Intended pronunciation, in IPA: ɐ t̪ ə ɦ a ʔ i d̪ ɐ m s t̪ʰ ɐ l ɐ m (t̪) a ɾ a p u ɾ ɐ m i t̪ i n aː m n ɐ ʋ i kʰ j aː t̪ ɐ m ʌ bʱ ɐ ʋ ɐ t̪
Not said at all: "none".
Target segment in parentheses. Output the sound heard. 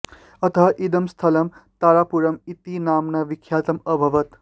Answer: t̪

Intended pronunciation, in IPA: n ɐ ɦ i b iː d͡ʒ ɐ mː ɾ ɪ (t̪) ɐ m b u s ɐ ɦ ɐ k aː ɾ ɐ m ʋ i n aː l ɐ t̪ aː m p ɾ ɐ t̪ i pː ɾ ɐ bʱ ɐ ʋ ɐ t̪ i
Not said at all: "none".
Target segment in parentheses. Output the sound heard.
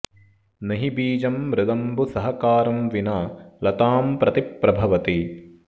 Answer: d̪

